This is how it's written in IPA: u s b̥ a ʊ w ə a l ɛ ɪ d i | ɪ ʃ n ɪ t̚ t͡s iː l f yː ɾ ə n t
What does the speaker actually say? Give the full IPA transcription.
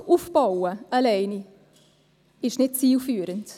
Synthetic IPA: u f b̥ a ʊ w ə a l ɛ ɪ n i | ɪ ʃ n ɪ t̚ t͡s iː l f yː ɾ ə n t